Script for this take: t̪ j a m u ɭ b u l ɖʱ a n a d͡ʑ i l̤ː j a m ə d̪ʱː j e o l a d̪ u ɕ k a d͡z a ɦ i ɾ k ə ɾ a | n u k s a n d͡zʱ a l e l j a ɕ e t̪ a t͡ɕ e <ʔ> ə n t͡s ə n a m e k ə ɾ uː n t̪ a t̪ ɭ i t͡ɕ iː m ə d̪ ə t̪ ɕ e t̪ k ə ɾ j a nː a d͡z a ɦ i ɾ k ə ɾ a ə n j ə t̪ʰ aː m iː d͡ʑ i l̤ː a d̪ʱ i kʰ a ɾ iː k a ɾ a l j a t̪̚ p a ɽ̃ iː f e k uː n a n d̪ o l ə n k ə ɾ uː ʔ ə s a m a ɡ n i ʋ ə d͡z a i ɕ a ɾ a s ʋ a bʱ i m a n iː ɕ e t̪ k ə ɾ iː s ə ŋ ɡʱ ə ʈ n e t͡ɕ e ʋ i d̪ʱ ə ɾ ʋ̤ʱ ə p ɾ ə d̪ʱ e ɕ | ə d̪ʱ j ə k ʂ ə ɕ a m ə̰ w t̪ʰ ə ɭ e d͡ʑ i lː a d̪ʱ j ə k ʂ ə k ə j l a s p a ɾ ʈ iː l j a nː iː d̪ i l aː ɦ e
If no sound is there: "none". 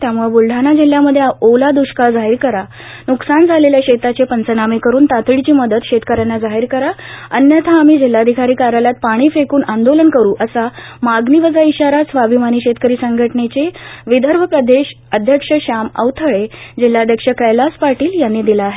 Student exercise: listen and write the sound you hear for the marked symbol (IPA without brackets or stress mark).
p